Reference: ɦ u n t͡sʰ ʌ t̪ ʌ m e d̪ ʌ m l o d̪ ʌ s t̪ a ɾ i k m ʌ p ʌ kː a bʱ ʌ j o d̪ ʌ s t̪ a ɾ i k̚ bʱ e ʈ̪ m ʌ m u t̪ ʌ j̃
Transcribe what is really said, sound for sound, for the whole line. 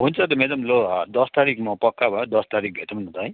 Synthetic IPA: ɦ u n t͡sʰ ʌ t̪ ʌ m e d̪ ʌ m l o d̪ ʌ s t̪ a ɾ i k m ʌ p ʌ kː a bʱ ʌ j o d̪ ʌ s t̪ a ɾ i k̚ bʱ e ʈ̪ m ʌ n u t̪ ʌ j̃